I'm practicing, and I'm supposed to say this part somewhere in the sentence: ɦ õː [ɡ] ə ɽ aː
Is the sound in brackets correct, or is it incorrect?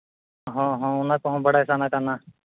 incorrect: b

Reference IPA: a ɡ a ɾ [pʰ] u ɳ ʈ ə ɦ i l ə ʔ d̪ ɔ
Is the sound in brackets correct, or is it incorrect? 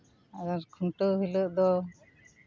incorrect: kʰ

